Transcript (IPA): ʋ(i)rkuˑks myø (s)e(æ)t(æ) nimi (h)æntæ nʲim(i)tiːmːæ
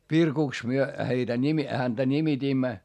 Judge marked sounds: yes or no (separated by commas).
yes, no, no, yes, yes, yes